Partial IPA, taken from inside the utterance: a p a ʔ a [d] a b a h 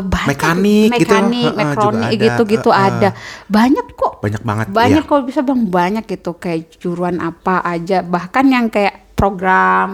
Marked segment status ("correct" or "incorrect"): incorrect